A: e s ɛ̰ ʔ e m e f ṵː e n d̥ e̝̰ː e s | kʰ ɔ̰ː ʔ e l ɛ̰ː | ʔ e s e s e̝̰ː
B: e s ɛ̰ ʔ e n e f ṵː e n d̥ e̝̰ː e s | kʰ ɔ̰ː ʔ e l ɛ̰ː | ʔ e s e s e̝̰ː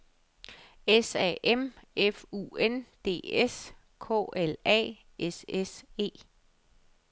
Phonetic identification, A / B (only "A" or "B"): A